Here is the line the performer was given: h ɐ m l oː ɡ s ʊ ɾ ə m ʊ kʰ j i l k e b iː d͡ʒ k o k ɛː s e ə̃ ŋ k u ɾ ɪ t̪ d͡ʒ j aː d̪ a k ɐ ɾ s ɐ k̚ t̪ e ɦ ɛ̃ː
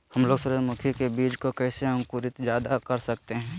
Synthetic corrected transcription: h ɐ m l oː ɡ s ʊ ɾ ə m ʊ kʰ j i k e b iː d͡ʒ k o k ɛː s e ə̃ ŋ k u ɾ ɪ t̪ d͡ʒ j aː d̪ a k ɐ ɾ s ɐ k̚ t̪ e ɦ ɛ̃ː